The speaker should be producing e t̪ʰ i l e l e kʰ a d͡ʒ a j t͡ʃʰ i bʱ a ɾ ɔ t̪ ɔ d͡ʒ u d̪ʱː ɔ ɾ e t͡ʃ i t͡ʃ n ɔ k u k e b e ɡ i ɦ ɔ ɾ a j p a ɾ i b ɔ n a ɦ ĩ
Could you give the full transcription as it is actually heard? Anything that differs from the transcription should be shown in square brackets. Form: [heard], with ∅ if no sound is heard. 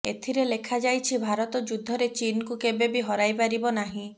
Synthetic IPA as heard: e t̪ʰ i [ɾ] e l e kʰ a d͡ʒ a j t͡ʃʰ i bʱ a ɾ ɔ t̪ ɔ d͡ʒ u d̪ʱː ɔ ɾ e t͡ʃ i [∅] n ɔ k u k e b e [b] i ɦ ɔ ɾ a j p a ɾ i b ɔ n a ɦ ĩ